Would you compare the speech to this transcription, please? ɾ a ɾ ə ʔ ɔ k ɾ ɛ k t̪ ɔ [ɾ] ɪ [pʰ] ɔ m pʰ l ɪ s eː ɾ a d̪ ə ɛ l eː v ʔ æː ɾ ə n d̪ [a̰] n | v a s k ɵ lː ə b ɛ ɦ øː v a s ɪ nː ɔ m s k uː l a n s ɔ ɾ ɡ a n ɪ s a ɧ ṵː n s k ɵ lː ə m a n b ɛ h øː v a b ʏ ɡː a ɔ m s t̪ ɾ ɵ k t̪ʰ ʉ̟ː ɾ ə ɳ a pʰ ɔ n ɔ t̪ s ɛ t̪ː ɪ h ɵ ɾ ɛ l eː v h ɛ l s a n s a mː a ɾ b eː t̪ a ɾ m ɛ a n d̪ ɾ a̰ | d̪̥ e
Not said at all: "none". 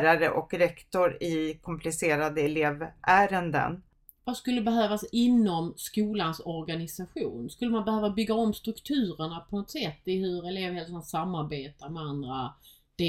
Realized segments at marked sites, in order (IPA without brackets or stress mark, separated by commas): ɾ, kʰ, ə̰